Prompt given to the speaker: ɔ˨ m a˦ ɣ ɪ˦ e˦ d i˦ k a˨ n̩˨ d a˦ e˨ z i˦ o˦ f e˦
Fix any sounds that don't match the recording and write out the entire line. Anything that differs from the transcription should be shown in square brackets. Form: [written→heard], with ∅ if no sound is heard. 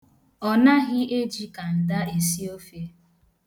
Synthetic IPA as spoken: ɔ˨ [m→n] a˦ ɣ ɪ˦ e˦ [d→d͡ʒ] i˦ k a˨ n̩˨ d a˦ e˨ [z→s] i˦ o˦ f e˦